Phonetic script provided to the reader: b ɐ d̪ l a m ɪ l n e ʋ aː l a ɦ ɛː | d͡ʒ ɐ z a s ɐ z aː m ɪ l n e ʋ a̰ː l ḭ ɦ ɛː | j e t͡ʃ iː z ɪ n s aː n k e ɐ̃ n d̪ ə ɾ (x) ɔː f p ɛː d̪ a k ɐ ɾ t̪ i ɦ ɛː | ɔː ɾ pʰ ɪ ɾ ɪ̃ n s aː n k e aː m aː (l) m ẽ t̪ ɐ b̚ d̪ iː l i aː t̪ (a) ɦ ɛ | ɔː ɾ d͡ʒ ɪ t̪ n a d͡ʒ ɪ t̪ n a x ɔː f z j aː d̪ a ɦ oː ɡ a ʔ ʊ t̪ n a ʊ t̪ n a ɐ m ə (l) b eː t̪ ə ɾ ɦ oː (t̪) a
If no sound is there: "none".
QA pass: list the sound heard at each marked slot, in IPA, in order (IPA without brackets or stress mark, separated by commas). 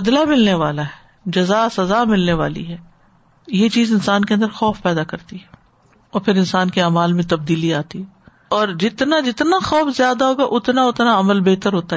x, l, i, l, t̪